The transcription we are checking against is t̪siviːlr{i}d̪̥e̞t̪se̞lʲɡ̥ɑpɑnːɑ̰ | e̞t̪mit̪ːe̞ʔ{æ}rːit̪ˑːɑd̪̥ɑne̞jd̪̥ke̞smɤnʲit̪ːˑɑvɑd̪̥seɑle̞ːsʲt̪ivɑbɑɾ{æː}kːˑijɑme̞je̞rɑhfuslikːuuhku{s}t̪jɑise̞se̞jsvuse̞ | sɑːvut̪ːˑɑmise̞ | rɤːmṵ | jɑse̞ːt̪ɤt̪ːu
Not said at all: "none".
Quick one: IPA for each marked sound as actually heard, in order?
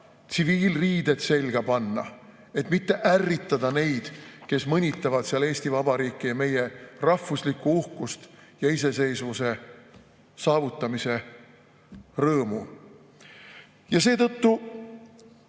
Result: iː, æ, iː, s

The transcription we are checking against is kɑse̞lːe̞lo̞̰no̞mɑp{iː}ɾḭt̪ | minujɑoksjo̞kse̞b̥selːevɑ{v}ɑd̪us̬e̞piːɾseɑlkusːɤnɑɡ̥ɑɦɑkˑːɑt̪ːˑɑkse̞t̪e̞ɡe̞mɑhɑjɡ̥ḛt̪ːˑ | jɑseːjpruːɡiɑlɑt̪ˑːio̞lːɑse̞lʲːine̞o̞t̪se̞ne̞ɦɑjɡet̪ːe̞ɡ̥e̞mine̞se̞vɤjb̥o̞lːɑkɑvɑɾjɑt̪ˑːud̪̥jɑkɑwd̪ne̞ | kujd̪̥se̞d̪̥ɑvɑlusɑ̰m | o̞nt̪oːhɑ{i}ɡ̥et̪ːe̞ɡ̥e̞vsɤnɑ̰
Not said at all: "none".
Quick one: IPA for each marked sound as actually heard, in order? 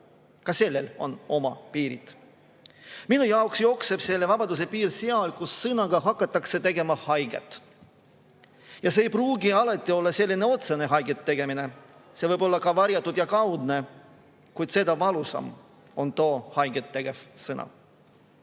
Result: iː, b, j

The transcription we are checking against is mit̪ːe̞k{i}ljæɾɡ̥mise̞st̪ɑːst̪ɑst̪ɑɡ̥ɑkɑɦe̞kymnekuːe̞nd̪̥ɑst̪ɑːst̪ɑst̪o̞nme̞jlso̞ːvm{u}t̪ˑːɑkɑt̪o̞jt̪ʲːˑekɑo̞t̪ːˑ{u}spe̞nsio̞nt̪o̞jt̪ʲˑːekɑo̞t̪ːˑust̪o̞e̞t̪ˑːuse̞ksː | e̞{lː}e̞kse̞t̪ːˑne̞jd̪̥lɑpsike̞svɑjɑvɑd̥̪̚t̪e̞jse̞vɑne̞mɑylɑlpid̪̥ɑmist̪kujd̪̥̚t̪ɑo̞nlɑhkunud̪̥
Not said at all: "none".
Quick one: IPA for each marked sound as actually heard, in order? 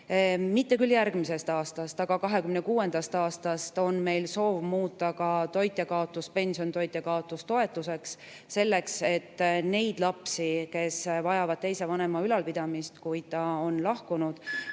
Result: y, uː, u, lː

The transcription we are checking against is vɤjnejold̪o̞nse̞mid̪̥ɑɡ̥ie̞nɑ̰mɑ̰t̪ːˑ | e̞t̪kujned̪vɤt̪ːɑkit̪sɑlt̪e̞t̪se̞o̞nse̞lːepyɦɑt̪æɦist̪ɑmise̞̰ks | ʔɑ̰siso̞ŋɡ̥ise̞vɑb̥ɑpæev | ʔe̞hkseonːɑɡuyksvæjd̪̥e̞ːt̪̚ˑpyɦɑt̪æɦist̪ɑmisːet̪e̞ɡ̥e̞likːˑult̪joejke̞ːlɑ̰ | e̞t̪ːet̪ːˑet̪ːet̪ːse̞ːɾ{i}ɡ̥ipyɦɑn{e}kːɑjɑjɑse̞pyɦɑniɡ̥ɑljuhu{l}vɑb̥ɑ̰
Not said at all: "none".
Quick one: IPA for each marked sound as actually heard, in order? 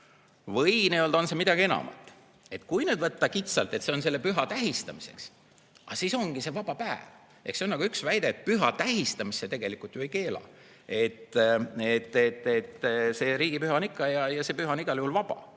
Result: iː, i, l

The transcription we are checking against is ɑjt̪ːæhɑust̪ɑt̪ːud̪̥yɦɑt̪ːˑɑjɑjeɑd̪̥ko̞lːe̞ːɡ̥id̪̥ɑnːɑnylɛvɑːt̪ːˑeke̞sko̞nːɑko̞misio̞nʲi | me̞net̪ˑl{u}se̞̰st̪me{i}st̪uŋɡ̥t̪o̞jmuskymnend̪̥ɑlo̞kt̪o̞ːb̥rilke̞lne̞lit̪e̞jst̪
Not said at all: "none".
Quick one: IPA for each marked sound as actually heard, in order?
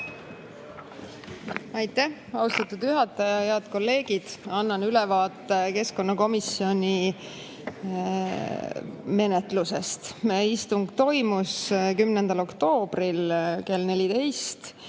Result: u, i

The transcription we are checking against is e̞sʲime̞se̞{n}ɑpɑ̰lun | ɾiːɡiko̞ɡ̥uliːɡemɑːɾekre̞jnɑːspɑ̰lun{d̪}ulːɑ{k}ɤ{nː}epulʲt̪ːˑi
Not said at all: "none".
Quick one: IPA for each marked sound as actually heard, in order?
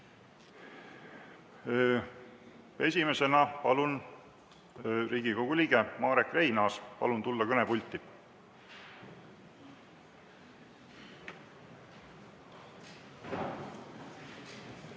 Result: n, t̪, k, n

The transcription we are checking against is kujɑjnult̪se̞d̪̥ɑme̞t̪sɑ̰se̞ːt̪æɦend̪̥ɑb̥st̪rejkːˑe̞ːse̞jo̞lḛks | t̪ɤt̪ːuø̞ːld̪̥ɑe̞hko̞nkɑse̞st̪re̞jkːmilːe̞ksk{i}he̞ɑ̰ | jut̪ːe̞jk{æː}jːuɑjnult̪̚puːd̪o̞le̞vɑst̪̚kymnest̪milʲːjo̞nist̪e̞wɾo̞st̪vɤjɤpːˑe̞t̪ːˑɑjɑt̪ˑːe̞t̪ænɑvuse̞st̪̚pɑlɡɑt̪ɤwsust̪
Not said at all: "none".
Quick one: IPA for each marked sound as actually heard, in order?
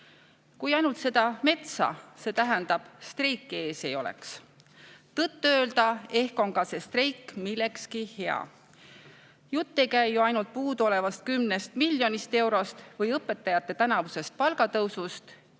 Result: i, æ

